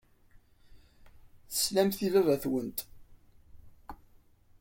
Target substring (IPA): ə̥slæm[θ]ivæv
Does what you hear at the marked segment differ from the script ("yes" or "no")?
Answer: no